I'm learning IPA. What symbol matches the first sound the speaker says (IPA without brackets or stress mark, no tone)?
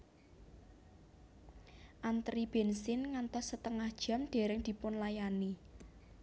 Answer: ʔ